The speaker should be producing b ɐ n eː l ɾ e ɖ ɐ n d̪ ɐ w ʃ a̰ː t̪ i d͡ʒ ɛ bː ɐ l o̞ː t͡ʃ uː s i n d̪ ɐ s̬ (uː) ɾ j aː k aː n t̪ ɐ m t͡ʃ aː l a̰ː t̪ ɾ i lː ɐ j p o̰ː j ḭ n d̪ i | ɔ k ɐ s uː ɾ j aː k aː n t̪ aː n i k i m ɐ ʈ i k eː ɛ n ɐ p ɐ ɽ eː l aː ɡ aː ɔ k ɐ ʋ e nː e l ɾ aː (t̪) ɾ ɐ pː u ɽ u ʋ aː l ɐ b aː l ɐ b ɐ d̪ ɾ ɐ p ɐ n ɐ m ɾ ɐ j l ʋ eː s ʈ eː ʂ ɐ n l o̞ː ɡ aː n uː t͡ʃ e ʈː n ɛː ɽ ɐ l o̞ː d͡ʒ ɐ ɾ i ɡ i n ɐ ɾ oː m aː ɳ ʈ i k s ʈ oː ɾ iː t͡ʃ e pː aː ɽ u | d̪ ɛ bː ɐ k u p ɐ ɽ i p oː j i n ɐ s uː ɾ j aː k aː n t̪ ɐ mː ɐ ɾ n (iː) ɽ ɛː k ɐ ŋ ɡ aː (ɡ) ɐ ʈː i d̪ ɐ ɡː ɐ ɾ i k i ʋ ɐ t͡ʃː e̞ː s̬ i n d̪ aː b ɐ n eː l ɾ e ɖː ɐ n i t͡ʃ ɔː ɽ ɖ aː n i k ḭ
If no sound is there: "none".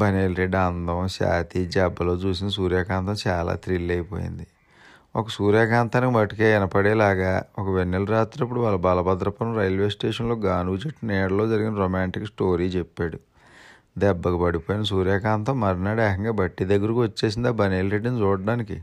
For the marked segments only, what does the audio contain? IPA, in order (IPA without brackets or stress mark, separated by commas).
uː, t̪, aː, b